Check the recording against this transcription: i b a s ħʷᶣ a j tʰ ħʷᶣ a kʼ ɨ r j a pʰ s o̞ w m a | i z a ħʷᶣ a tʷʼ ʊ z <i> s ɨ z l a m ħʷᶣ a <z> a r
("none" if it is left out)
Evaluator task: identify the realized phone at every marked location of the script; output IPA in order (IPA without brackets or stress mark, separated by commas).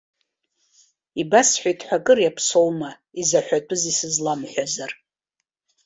i, z